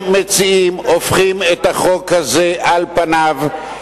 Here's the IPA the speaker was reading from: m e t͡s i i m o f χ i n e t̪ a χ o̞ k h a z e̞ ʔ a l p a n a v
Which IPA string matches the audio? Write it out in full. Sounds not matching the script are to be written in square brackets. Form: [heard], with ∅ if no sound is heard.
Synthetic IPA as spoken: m e t͡s i i m o f χ i [m] e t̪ a χ o̞ k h a z e̞ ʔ a l p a n a v